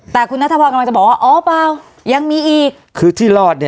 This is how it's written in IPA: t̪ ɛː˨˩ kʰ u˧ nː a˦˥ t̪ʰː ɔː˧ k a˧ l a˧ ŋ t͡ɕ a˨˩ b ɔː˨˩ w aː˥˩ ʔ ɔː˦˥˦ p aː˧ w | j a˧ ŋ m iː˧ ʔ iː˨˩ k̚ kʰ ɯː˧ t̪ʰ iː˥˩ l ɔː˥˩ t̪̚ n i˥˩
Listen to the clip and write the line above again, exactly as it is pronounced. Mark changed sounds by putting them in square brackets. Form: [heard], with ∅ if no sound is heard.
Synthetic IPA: t̪ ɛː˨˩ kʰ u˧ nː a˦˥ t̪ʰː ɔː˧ k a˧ l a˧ ŋ t͡ɕ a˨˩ b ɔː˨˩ w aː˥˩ ʔ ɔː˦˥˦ p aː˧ w | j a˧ ŋ m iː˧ ʔ iː˨˩ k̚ kʰ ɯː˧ t̪ʰ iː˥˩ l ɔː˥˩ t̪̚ n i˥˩